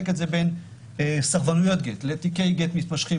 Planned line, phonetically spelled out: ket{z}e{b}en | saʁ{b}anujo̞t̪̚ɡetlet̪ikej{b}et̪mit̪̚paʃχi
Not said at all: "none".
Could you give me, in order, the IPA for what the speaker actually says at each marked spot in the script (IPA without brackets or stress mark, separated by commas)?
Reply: z, b, v, ɡ